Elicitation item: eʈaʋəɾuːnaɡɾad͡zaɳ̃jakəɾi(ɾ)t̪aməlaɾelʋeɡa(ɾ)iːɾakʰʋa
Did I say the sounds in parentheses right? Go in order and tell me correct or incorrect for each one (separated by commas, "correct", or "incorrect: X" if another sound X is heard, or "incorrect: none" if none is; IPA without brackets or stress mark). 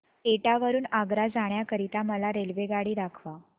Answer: incorrect: none, incorrect: ɽ